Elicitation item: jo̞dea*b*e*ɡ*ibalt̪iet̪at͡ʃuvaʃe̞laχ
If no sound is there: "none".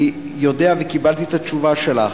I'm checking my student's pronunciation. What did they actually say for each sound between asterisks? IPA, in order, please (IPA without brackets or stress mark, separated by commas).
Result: v, k